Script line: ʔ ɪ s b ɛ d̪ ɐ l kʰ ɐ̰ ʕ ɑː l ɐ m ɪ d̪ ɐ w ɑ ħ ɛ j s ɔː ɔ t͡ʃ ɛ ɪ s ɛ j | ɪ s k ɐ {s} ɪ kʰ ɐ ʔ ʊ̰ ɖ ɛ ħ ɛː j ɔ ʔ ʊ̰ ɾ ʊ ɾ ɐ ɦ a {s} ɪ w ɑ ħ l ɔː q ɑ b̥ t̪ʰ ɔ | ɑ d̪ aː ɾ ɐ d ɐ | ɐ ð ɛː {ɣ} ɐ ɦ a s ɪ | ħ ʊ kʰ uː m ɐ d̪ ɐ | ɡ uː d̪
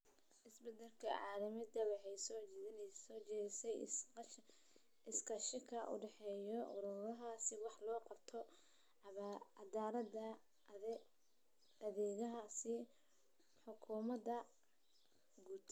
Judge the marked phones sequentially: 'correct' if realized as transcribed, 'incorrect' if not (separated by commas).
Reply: incorrect, correct, correct